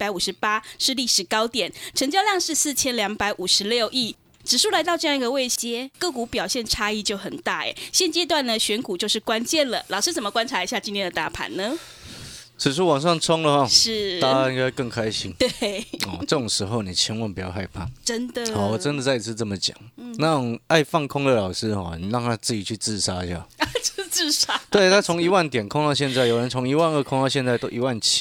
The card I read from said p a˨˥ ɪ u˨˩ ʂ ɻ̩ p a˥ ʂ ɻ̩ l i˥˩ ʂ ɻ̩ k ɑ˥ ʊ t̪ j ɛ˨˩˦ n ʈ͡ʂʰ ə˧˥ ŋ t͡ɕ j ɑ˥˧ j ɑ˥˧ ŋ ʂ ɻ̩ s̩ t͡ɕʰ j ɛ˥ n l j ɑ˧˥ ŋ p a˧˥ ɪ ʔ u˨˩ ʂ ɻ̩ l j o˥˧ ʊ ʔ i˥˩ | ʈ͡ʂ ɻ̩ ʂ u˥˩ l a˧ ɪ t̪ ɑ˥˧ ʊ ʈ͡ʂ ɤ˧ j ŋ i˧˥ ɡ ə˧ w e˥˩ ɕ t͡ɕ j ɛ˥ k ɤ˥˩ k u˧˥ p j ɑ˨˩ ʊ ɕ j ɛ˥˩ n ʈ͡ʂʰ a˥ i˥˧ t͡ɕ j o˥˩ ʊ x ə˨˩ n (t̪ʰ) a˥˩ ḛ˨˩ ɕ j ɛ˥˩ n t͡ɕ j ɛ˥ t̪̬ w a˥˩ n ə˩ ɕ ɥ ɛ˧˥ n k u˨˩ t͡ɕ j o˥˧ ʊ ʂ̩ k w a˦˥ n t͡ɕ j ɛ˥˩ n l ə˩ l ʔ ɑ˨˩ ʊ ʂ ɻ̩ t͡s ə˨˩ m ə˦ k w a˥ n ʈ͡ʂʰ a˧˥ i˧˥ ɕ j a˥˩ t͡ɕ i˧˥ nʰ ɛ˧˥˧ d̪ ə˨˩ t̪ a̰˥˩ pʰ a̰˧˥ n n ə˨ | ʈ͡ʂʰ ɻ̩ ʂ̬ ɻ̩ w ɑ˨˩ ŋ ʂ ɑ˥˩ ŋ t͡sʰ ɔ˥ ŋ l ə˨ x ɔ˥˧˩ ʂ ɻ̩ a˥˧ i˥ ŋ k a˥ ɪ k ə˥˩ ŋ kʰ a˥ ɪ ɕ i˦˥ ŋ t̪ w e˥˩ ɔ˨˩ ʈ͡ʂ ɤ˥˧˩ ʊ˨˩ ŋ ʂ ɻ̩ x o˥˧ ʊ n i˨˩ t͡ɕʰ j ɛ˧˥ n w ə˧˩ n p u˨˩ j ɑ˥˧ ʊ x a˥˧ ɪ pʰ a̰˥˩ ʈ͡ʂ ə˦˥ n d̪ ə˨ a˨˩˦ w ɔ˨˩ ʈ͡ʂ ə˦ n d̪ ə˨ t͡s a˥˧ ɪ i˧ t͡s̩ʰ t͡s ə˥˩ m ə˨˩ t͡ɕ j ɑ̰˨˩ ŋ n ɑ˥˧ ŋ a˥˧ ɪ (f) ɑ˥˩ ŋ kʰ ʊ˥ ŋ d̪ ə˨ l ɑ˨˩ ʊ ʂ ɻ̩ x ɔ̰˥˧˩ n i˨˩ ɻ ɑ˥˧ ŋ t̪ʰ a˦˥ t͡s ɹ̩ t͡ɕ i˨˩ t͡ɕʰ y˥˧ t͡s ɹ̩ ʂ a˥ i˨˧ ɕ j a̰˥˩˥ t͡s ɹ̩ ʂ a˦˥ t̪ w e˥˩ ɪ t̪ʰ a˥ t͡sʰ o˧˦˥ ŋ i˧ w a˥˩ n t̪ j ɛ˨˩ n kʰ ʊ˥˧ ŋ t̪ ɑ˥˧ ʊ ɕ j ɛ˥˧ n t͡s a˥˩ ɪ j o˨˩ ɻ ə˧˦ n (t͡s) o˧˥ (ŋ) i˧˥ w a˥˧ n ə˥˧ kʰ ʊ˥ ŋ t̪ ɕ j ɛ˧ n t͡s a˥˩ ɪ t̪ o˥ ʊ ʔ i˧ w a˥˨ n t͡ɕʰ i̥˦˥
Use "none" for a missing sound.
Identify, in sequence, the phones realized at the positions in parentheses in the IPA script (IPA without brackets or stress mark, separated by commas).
t̪, f, t͡sʰ, ŋ